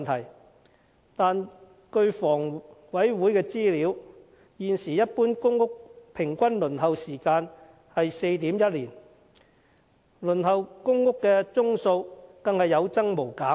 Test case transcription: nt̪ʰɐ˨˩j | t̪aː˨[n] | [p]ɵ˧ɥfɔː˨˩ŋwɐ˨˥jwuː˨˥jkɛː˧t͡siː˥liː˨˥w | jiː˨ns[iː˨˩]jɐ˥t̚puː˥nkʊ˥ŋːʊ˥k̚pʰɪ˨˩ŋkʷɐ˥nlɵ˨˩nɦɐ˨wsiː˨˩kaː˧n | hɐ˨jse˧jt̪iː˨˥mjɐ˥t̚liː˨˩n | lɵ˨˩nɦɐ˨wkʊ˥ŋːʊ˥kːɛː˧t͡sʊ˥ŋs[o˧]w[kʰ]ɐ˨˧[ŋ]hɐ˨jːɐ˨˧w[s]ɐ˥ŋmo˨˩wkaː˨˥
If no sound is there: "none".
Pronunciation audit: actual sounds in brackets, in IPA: n, k, iː˨˩, o˧, k, ŋ, t͡s

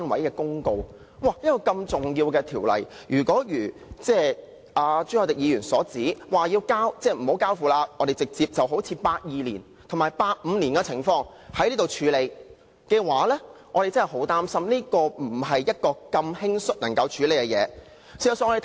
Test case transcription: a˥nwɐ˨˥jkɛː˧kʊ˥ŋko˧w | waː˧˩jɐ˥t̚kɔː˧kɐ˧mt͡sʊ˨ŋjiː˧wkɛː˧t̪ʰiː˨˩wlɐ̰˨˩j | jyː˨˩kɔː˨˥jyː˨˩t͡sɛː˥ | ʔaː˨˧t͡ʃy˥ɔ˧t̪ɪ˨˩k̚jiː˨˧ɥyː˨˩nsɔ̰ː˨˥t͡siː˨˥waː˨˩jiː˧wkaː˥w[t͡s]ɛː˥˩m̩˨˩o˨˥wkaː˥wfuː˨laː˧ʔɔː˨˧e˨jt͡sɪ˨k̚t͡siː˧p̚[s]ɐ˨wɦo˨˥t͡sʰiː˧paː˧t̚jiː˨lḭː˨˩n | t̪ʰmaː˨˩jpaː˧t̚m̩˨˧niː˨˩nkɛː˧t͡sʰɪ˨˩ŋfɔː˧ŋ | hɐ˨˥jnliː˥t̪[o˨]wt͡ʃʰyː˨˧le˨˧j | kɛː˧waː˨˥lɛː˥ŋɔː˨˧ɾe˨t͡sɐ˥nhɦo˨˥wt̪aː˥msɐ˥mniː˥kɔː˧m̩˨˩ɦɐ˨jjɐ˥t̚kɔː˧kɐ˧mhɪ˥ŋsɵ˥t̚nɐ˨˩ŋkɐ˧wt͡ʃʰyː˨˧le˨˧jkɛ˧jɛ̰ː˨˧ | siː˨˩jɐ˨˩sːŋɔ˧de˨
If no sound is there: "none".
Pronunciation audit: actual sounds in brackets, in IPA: t͡s, t͡s, o˨

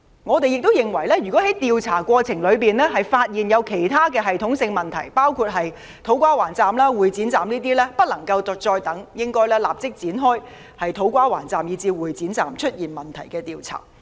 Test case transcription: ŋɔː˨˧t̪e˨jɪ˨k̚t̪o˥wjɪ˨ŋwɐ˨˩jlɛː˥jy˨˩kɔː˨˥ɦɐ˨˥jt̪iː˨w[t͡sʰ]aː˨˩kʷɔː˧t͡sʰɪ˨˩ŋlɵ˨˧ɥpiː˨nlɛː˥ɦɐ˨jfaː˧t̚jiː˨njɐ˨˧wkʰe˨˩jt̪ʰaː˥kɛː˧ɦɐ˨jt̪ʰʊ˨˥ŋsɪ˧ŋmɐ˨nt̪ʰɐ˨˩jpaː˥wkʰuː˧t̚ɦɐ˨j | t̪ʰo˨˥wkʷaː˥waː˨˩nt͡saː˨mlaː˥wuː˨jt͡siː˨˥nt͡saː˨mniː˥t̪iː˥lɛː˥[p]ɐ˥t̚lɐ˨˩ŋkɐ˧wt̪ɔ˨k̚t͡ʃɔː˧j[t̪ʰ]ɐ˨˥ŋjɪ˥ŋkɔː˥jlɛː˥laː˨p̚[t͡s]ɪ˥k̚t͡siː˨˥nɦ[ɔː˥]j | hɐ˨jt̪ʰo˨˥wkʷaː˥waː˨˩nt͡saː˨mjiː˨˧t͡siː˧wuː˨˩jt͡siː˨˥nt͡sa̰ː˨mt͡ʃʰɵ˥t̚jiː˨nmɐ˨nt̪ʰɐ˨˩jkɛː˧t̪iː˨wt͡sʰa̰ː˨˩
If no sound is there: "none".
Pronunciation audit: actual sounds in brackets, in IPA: t͡sʰ, p, t̪, t͡s, ɔː˥

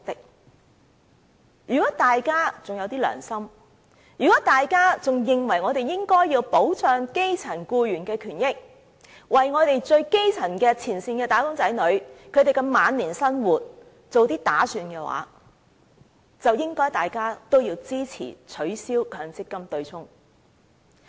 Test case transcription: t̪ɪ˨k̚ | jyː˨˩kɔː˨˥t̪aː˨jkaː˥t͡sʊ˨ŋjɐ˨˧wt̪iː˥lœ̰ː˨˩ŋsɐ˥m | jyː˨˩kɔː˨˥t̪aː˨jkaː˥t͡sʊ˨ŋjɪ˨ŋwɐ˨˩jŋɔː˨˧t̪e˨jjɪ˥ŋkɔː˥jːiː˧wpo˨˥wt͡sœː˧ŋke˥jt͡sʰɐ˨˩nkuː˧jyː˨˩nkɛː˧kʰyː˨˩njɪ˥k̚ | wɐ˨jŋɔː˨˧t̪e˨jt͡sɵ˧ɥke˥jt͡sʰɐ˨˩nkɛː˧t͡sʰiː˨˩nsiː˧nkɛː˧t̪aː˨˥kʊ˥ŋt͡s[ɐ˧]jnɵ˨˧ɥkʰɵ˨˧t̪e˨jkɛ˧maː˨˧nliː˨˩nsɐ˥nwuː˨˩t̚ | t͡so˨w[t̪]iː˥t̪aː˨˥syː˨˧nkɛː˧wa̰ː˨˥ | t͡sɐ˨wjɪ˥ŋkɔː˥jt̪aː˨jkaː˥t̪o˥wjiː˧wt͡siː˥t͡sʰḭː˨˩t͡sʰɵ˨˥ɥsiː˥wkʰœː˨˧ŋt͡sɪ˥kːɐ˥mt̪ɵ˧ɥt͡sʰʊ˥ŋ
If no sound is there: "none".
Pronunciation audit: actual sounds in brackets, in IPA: ɐ˨˥, t̪

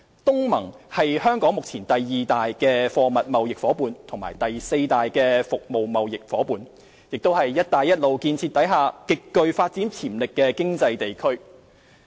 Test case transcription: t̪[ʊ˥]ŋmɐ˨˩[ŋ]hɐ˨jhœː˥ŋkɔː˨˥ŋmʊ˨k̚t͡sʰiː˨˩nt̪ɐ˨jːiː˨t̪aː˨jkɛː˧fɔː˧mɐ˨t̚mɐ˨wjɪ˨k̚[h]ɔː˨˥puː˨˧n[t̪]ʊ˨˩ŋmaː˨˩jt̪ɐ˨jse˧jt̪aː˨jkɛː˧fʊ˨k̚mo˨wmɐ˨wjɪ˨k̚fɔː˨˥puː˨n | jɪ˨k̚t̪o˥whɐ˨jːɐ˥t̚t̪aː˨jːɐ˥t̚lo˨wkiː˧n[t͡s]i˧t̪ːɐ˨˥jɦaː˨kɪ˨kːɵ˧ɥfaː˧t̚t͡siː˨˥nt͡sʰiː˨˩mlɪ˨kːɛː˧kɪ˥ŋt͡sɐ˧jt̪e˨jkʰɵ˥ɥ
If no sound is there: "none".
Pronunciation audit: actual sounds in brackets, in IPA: ʊ˥, ŋ, f, t̪ʰ, t͡sʰ

